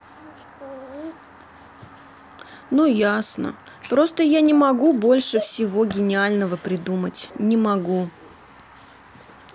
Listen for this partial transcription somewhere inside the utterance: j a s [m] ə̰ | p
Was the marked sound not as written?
yes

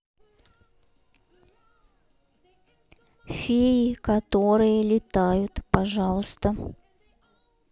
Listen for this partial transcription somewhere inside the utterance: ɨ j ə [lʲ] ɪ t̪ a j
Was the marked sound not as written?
no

